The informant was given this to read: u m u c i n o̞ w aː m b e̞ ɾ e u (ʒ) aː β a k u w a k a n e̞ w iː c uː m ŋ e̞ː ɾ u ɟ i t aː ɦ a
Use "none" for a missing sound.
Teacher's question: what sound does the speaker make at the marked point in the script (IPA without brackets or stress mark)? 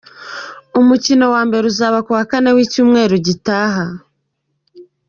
z